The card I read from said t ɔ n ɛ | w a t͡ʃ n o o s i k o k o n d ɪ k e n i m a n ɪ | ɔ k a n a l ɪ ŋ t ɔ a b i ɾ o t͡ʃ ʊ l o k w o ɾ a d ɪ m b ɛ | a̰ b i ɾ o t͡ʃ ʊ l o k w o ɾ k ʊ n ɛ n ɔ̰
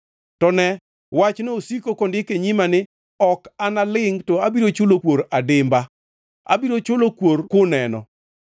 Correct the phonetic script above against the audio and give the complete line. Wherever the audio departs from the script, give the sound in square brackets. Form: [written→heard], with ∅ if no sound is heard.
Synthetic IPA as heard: t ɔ n ɛ | w a t͡ʃ n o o s i k o k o n d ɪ k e [n→ɲ] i m a n ɪ | ɔ k a n a l ɪ ŋ t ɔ a b i ɾ o t͡ʃ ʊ l o k w o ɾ a d ɪ m b [ɛ→a] | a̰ b i ɾ o t͡ʃ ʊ l o k w o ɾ k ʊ n ɛ n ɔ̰